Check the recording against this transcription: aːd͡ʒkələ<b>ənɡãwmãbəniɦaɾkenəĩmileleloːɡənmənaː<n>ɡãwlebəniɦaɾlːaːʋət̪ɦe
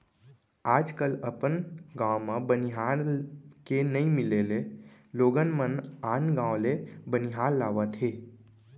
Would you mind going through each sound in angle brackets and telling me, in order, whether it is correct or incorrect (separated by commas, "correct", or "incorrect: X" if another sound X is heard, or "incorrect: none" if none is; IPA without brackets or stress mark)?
incorrect: p, correct